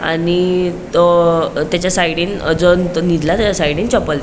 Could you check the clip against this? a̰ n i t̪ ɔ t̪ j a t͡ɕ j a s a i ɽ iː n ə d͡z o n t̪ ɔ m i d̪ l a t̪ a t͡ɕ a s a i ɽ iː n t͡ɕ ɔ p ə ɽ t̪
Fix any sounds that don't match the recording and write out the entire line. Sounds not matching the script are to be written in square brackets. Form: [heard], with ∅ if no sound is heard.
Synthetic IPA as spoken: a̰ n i t̪ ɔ t̪ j a t͡ɕ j a s a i ɽ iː n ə d͡z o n t̪ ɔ [n] i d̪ l a t̪ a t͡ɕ a s a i ɽ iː n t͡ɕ ɔ p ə [l] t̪